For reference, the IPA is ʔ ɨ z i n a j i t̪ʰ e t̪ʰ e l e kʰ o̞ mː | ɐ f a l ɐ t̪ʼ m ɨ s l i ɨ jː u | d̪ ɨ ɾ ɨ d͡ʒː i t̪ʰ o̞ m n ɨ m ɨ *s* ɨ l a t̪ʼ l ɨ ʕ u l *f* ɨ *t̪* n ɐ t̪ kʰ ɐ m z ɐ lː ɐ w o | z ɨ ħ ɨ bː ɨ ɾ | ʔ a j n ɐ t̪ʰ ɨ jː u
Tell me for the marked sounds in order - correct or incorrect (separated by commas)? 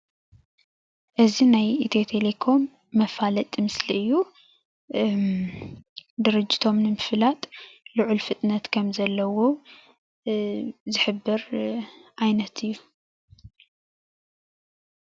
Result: incorrect, correct, incorrect